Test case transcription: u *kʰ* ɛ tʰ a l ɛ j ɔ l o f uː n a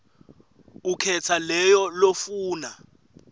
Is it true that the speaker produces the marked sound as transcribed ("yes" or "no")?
yes